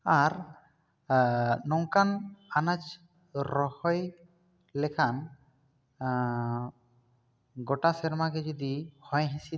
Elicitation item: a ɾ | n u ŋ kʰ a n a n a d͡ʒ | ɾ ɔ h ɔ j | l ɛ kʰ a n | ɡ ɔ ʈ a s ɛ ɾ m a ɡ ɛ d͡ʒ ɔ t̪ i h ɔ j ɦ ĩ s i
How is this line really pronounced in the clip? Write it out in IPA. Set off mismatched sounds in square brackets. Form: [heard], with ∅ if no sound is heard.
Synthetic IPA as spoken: a ɾ | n [ɔ] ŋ [k] a n a n a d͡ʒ | ɾ ɔ h ɔ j | l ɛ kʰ a n | ɡ ɔ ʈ a s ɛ ɾ m a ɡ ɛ d͡ʒ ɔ [d̪] i h ɔ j ɦ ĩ s i